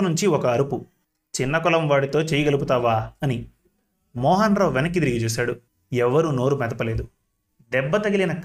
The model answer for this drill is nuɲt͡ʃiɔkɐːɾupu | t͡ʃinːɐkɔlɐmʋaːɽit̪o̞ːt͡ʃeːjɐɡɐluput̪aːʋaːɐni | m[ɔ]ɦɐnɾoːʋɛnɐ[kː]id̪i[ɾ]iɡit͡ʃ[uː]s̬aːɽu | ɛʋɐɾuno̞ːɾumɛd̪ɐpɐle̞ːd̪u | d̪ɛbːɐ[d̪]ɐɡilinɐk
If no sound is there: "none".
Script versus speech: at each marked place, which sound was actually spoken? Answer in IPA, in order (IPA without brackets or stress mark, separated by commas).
ɔː, kː, ɾ, uː, t̪